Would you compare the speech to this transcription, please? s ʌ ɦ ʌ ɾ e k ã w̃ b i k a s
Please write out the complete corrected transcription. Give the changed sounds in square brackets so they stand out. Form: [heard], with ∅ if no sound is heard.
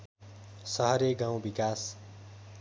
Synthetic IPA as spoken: s ʌ ɦ ʌ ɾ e [ɡ] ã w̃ b i k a s